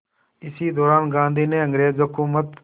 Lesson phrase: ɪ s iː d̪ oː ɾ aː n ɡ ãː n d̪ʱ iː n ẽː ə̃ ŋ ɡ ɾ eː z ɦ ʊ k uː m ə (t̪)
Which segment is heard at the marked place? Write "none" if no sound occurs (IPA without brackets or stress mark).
t̪